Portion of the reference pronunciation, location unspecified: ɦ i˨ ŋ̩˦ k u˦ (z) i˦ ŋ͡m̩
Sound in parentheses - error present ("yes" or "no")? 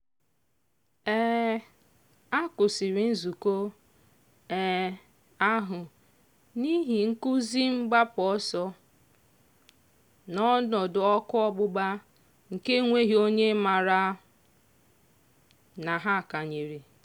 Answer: no